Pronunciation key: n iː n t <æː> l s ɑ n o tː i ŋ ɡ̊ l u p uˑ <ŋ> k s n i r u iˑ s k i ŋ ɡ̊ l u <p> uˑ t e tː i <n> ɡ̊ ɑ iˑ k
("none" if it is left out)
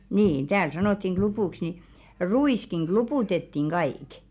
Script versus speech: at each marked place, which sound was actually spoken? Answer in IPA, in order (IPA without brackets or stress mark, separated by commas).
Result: æː, none, p, ŋ